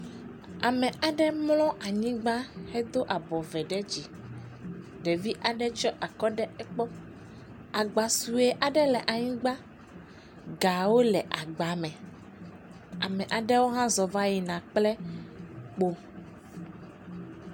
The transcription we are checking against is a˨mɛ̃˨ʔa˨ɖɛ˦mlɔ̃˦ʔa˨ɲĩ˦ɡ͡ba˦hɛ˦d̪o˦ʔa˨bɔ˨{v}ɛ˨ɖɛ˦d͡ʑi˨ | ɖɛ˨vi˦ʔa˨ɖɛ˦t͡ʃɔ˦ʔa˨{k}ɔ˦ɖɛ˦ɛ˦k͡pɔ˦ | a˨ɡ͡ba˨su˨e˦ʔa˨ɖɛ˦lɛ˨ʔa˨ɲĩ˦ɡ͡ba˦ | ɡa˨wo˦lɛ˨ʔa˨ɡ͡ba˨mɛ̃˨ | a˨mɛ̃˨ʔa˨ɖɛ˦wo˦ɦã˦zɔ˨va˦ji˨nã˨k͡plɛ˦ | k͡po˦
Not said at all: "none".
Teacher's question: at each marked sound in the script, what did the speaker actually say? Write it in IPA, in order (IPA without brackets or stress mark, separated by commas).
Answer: v, k